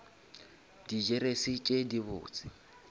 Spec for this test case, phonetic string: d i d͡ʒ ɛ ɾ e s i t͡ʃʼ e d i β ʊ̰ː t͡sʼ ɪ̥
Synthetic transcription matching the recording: d i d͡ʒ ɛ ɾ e s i t͡ʃʼ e d i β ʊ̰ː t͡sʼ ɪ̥